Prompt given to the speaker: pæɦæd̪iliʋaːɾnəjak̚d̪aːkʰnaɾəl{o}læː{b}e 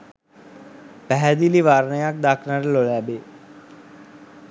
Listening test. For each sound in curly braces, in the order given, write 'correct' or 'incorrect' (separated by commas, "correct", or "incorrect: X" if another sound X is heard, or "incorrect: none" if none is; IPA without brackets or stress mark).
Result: correct, correct